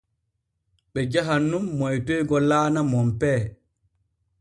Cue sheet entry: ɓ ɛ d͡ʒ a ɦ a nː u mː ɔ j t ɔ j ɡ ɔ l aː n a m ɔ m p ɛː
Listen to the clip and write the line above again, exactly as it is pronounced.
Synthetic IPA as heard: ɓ ɛ d͡ʒ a ɦ a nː u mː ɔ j t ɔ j ɡ ɔ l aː n a m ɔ m p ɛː